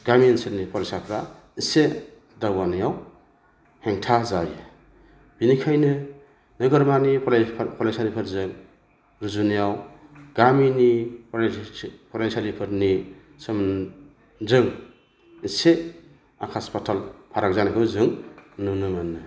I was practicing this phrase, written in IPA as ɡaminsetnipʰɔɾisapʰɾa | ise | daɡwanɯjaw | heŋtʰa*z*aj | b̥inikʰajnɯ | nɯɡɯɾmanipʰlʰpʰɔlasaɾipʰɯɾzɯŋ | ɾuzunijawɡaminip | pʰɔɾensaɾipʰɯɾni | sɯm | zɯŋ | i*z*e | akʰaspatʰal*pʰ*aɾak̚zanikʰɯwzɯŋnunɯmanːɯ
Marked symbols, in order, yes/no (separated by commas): yes, no, yes